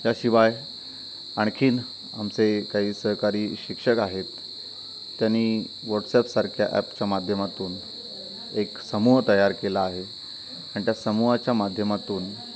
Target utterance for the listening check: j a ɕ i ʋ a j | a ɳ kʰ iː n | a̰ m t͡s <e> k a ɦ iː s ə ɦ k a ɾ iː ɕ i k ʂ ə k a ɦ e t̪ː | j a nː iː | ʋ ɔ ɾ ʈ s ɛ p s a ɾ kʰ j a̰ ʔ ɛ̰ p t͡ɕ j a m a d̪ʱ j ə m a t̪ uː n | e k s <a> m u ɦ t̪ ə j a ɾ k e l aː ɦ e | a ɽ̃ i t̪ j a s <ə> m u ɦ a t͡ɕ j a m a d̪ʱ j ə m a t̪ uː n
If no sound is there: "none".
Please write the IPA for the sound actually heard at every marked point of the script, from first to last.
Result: e, ə, ə

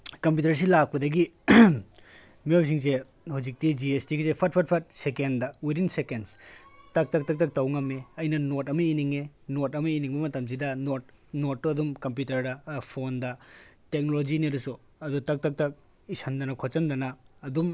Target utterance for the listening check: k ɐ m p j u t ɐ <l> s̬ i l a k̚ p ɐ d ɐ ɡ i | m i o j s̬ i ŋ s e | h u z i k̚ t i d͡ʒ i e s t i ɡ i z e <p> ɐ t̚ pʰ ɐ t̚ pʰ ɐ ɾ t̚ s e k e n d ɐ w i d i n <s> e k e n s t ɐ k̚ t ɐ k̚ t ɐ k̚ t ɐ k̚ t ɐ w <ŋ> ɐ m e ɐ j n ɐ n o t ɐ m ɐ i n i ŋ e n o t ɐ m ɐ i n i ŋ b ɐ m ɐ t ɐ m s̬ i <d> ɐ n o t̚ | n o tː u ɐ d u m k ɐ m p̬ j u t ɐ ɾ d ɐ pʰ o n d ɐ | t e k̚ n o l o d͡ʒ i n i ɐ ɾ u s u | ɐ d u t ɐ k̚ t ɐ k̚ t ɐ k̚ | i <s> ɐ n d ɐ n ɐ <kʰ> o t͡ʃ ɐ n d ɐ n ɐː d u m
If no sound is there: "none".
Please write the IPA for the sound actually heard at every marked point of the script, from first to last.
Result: ɾ, pʰ, s, ŋ, d, s, kʰ

